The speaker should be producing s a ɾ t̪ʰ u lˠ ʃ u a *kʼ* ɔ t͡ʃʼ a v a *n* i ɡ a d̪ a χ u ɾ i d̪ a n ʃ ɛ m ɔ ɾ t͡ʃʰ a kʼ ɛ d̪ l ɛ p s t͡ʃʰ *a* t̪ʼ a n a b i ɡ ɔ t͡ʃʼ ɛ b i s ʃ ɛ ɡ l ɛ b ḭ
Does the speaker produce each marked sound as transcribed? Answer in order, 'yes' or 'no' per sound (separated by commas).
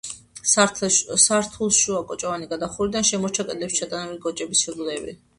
yes, yes, yes